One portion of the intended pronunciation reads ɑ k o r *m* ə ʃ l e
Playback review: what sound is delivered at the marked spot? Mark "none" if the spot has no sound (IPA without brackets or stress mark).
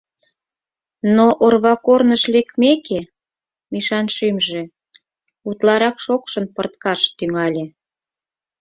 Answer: n